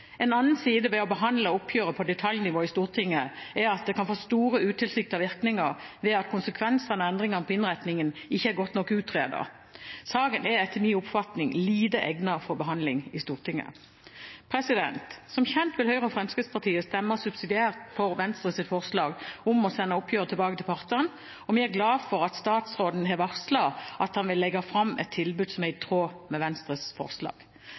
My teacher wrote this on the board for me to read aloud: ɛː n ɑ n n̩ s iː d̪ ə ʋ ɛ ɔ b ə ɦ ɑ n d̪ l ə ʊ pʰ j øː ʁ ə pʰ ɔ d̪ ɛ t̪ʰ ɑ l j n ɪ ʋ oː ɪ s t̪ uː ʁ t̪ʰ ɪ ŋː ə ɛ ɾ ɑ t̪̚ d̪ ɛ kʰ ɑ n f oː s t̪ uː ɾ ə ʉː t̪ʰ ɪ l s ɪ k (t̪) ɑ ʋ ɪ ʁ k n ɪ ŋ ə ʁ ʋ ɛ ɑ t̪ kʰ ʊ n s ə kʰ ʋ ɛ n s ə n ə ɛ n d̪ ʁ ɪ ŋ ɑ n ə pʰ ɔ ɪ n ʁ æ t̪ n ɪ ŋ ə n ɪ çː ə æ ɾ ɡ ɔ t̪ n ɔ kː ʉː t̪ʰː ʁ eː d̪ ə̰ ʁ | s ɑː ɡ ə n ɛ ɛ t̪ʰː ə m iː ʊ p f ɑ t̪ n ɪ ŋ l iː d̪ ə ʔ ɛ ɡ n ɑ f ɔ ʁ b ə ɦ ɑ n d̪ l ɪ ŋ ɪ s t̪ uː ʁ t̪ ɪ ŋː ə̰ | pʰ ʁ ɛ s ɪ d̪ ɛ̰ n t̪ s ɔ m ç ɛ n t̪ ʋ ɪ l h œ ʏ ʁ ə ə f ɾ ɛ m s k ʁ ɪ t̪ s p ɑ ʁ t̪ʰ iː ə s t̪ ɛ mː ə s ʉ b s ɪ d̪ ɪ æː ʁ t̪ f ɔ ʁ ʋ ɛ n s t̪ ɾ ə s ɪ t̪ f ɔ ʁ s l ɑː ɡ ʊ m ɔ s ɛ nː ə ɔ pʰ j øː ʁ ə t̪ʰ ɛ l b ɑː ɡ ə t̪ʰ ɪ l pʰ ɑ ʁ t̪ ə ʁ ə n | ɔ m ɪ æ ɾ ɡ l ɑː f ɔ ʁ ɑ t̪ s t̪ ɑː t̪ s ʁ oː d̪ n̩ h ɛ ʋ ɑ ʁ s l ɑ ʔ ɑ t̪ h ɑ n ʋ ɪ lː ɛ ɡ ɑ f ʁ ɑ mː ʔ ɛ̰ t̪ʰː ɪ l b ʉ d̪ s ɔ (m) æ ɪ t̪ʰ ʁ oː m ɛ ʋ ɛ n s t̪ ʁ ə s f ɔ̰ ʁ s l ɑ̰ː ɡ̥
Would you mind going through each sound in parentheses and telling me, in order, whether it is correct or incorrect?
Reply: correct, correct

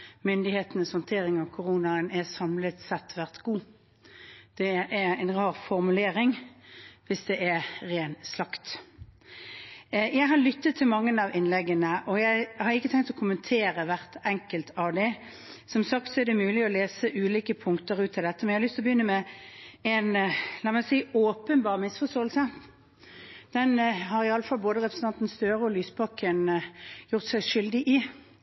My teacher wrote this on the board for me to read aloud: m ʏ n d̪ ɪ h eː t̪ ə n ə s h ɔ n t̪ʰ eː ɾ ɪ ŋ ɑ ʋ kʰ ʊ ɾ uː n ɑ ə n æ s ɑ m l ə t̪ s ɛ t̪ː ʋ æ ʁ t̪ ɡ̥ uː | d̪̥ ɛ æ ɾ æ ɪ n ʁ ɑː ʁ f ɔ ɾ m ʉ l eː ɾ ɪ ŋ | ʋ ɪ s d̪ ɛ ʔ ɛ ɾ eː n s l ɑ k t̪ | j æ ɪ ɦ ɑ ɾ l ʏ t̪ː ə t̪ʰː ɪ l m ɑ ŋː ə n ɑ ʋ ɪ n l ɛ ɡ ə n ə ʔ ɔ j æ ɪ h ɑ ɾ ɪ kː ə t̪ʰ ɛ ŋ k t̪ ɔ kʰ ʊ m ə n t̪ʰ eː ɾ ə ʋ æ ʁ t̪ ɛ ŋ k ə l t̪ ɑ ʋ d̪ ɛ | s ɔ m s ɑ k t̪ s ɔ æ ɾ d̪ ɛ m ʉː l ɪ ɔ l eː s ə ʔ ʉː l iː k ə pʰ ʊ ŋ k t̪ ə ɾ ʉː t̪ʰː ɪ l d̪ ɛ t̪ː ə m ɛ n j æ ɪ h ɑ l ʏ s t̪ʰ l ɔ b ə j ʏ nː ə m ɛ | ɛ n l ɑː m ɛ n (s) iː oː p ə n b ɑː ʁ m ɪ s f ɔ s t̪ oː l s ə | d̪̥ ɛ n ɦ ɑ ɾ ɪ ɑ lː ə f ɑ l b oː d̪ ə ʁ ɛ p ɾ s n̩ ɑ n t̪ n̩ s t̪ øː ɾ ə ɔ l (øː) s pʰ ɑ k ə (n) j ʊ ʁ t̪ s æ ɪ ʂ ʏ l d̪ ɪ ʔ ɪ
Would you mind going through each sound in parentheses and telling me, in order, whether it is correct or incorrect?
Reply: correct, incorrect: yː, correct

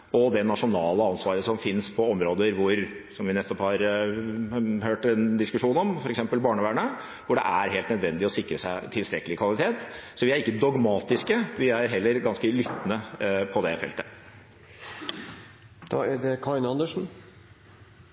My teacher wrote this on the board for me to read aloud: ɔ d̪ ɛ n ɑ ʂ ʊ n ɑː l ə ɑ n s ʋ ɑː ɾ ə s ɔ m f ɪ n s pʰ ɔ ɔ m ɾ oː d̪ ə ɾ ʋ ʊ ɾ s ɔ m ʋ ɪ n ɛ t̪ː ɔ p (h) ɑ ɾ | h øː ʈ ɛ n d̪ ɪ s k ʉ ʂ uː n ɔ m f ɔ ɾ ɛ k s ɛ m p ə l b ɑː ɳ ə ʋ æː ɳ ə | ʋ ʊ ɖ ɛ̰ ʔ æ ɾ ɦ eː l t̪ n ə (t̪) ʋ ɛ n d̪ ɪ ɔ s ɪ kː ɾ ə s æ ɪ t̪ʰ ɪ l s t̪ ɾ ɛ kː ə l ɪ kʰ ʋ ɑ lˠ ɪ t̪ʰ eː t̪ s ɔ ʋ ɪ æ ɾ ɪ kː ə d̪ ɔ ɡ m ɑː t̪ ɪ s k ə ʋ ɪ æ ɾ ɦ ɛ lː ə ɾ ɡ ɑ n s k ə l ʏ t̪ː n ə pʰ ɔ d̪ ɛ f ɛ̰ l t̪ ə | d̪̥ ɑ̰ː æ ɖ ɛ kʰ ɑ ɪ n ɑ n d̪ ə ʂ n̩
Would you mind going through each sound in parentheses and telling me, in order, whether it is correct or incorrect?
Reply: correct, incorrect: d̪

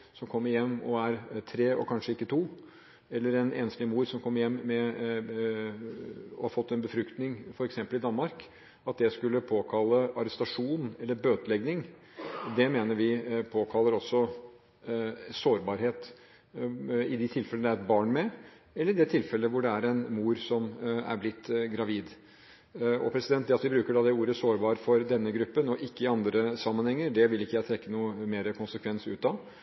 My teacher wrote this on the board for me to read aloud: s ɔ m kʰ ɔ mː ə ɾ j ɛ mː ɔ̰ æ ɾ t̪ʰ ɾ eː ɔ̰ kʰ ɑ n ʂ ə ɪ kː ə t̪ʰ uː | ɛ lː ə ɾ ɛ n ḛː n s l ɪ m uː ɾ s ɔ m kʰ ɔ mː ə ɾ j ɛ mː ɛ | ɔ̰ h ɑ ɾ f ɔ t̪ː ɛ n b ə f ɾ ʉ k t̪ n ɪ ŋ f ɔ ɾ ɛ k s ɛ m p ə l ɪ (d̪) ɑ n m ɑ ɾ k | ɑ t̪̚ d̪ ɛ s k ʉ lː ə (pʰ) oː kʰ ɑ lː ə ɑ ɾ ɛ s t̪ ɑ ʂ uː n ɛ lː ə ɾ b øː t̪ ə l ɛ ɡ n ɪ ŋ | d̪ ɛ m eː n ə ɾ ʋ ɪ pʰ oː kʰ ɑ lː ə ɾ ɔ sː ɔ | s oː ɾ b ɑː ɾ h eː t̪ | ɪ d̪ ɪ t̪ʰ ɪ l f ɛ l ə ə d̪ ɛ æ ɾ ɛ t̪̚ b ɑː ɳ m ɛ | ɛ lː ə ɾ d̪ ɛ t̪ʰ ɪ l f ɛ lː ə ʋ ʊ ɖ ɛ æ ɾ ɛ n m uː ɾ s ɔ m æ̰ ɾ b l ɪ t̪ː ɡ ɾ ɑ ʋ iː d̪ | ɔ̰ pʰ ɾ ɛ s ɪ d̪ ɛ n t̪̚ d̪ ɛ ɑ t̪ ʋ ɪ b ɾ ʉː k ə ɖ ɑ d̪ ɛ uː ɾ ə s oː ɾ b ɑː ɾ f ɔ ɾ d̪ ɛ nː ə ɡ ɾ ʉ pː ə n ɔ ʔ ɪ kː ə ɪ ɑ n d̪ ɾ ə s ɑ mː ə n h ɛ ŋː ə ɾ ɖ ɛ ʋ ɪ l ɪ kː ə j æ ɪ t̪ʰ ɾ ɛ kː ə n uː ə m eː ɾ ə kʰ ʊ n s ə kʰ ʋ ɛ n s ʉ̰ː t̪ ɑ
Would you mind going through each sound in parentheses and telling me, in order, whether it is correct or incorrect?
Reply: correct, correct

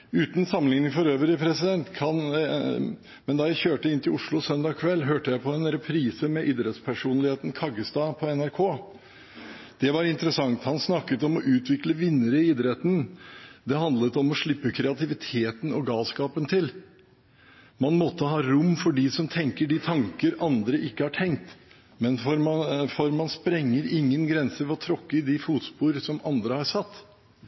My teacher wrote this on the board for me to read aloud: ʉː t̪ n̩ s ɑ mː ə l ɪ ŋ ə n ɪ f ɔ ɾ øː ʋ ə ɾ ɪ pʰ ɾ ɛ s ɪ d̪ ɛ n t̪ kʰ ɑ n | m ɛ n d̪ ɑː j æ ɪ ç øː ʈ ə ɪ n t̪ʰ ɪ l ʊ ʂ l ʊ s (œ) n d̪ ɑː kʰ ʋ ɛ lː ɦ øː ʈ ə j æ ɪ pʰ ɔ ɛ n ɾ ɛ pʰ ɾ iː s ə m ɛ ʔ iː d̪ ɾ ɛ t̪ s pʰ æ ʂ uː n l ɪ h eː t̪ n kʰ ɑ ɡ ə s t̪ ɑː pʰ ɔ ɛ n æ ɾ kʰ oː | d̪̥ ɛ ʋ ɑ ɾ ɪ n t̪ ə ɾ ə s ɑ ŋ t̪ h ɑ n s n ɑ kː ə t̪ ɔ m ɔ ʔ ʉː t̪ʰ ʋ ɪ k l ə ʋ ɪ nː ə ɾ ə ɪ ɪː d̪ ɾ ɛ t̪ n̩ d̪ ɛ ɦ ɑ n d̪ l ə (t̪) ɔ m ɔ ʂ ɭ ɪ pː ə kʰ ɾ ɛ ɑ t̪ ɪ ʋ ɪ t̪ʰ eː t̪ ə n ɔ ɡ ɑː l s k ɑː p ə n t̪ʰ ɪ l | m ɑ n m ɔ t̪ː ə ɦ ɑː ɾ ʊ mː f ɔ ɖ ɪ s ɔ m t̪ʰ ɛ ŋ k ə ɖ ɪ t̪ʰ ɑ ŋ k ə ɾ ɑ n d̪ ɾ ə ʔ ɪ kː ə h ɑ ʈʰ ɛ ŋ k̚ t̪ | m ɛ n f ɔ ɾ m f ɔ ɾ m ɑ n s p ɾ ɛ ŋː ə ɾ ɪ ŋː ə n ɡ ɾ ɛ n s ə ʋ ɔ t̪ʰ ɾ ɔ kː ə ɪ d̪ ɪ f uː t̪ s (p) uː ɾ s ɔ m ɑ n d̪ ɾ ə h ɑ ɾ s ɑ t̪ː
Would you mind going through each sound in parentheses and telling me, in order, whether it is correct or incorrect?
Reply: correct, correct, correct

